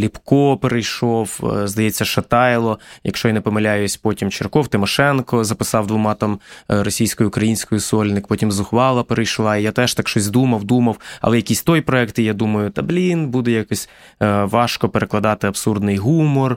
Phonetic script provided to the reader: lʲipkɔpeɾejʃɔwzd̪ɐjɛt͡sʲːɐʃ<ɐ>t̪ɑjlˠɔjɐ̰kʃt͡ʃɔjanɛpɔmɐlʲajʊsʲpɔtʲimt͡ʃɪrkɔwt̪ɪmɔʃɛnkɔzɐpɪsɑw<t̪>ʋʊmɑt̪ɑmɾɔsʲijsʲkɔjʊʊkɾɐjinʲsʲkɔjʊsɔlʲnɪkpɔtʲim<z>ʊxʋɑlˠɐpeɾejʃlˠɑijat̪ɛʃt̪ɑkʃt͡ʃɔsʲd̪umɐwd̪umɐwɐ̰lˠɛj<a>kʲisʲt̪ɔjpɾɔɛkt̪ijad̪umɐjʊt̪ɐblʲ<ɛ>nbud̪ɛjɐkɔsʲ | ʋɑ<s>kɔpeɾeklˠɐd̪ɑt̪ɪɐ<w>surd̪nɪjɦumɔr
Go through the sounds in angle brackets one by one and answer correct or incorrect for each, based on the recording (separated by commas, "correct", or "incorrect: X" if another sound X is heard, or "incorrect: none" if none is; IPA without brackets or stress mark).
correct, incorrect: d̪, correct, incorrect: ɐ, incorrect: i, incorrect: ʃ, incorrect: b